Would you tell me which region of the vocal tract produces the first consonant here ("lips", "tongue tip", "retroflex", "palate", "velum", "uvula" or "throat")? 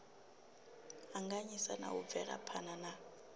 velum